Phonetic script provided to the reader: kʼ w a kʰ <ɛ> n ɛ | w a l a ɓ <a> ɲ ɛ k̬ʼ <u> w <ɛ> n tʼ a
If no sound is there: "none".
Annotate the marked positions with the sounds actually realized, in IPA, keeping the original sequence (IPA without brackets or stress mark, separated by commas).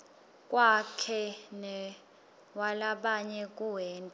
ɛ, a, u, ɛː